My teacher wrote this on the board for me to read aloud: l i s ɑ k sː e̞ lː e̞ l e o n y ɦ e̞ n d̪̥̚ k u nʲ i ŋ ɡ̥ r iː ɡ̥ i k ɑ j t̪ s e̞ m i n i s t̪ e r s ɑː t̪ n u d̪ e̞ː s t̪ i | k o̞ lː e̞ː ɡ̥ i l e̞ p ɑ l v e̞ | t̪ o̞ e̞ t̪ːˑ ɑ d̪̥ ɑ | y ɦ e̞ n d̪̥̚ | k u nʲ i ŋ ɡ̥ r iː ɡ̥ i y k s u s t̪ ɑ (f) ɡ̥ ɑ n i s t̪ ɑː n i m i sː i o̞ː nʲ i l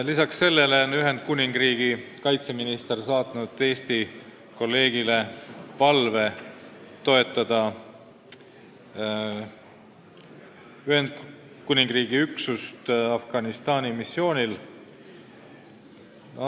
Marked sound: correct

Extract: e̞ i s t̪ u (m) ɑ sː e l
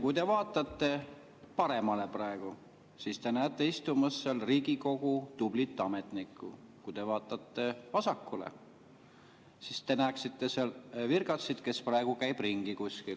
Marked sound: correct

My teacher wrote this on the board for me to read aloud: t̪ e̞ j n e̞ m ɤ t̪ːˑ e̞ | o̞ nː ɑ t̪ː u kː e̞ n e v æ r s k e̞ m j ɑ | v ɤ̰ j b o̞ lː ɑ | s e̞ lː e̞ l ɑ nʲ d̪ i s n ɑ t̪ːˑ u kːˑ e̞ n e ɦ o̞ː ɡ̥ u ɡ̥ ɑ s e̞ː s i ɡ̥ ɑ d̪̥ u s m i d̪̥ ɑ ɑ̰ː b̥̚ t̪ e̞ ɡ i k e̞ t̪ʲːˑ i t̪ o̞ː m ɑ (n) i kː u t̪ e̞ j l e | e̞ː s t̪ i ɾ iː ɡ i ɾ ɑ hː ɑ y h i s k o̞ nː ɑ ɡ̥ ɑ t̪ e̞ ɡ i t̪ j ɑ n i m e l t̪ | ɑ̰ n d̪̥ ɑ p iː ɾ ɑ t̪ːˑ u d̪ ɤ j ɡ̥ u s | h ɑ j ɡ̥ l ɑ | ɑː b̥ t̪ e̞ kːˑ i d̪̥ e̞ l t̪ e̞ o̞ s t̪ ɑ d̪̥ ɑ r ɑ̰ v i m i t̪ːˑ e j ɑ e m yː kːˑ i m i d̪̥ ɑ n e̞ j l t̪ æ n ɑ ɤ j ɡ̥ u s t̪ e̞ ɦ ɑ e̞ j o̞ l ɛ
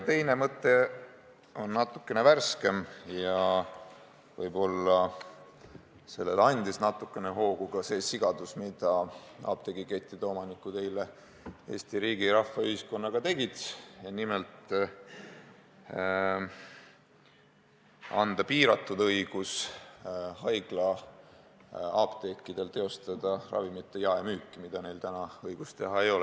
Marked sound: correct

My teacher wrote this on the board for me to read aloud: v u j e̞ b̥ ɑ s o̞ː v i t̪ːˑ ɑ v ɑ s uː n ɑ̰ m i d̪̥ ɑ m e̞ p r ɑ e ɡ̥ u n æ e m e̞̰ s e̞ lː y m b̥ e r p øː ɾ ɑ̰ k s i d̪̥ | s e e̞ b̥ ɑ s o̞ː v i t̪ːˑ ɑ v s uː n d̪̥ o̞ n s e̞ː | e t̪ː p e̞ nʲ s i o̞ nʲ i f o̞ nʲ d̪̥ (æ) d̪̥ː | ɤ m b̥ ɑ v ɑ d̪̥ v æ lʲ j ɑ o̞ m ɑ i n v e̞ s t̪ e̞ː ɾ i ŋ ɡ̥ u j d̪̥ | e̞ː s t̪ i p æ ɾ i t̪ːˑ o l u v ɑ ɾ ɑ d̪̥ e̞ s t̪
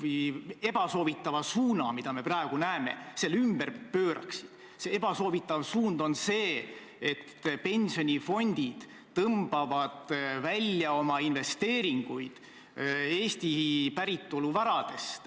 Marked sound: incorrect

